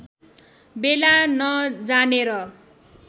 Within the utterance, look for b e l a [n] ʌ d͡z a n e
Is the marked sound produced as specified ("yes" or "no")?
yes